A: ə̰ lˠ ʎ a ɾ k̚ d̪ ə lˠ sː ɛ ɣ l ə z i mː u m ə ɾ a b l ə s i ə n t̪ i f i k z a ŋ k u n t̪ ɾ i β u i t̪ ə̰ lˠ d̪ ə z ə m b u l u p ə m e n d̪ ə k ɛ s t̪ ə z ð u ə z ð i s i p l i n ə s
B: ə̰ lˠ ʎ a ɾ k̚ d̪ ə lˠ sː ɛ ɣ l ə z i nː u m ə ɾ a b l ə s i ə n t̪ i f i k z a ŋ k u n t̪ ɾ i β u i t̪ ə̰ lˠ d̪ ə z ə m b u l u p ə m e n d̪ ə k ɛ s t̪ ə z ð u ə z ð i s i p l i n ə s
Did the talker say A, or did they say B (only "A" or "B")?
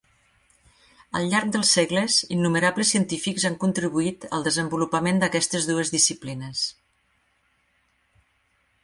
B